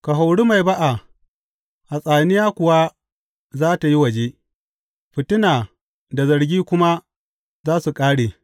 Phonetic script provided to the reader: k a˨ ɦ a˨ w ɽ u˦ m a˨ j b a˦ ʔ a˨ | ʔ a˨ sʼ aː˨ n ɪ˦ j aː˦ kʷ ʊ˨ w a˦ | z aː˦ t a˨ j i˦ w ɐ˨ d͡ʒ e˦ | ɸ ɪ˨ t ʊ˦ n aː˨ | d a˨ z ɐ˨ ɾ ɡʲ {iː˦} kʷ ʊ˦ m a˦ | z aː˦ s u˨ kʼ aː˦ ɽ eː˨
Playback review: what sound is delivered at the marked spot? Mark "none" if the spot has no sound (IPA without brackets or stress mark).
iː˦